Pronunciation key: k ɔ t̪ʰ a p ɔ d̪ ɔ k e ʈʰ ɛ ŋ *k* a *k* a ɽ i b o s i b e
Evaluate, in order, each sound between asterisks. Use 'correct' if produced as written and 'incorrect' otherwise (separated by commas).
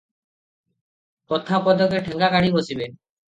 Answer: incorrect, correct